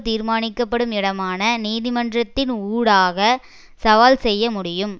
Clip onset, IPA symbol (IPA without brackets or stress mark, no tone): t̪